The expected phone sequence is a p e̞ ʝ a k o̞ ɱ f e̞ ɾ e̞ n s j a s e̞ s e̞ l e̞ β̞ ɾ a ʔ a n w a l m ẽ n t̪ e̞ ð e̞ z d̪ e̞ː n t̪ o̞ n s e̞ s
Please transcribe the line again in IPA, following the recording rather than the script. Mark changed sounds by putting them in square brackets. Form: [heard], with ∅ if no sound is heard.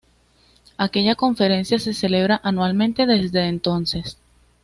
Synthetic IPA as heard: a [k] e̞ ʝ a k o̞ ɱ f e̞ ɾ e̞ n s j a s e̞ s e̞ l e̞ β̞ ɾ a ʔ a n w a l m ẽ n t̪ e̞ ð e̞ z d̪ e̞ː n t̪ o̞ n s e̞ s